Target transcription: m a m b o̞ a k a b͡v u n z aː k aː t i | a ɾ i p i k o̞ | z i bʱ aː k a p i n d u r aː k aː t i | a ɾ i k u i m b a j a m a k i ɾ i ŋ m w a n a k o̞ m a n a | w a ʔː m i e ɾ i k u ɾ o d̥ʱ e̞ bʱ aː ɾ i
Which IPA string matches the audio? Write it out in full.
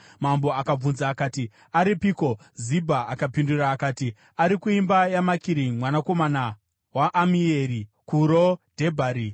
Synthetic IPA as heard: m a m b o̞ a k a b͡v u n z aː k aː t i | a ɾ i p i k o̞ | z i bʱ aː k a p i n d u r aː k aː t i | a ɾ i k u i m b a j a m a k i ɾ i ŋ m w a n a k o̞ m a n a | w a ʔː m i e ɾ i k u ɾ o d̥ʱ e̞ bʱ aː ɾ i